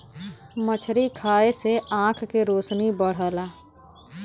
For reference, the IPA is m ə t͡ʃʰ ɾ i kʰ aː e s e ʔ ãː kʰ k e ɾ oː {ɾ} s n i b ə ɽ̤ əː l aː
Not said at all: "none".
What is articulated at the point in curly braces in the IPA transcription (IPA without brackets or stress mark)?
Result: none